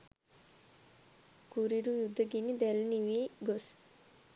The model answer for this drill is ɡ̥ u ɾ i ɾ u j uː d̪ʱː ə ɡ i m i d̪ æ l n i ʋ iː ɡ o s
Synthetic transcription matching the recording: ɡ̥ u ɾ i ɾ u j u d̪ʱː ə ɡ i n i d̪ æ l n i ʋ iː ɡ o s